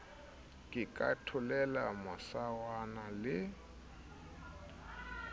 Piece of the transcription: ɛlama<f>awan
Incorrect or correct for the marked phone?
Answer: incorrect: s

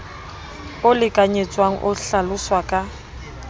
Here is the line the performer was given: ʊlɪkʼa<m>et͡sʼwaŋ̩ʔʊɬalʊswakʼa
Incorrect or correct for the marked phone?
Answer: incorrect: ɲ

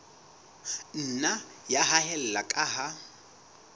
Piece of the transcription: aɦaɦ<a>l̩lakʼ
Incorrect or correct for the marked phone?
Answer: incorrect: ɛ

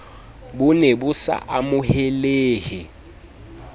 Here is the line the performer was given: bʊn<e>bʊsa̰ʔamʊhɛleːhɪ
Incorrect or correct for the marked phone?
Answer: correct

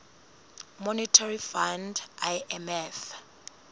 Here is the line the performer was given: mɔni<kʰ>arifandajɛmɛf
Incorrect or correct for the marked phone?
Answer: incorrect: tʰ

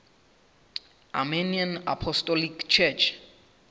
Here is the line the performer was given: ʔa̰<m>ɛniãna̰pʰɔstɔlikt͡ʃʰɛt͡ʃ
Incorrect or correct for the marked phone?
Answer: correct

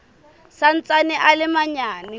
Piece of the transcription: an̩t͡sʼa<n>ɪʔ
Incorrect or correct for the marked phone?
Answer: correct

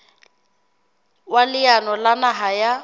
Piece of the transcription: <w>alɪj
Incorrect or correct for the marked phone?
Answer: correct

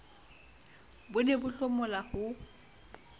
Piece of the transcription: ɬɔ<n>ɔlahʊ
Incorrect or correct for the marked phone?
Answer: incorrect: m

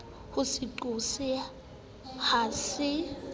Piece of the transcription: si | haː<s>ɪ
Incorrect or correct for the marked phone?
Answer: correct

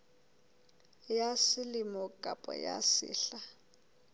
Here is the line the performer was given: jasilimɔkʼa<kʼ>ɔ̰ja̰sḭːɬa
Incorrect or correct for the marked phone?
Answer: incorrect: pʼ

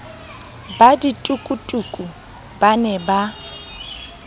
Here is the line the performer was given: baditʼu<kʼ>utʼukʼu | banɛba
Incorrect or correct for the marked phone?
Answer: correct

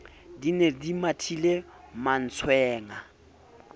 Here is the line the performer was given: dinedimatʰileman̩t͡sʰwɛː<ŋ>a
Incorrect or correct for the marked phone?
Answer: correct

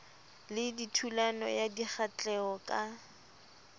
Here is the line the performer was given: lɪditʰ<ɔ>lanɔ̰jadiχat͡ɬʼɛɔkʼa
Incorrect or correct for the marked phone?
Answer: incorrect: u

